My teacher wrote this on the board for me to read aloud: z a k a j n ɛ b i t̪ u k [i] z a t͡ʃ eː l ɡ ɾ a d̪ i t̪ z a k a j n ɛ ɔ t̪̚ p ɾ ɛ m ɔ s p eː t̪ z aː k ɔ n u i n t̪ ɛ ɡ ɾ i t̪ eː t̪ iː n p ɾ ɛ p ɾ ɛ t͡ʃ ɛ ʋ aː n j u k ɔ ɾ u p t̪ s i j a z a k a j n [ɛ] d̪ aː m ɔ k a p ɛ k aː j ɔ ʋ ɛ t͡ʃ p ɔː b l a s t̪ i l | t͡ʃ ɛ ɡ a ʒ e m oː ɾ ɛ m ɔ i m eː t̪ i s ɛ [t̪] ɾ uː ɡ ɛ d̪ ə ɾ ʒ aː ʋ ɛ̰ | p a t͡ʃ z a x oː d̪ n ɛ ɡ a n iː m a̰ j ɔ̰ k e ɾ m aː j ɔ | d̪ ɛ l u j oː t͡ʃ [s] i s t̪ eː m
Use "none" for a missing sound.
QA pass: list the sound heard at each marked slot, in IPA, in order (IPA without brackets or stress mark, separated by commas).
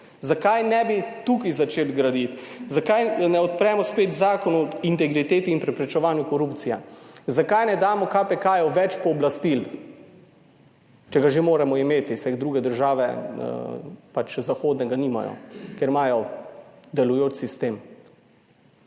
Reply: i, ɛ, d̪, s